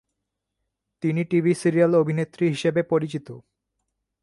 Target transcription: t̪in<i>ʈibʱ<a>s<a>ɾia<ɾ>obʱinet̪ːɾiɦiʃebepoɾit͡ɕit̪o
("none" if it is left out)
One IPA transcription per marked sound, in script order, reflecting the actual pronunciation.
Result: i, i, i, l

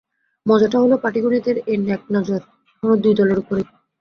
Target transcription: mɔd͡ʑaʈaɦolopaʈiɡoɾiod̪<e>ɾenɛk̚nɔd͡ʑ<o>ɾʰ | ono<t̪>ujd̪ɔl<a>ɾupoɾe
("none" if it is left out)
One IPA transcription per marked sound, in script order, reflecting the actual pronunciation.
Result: e, o, d̪, e

